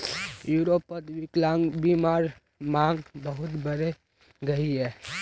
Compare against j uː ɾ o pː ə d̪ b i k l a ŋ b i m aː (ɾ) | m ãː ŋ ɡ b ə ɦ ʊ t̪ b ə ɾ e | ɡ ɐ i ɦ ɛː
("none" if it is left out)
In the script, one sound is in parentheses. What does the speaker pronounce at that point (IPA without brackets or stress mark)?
ɾ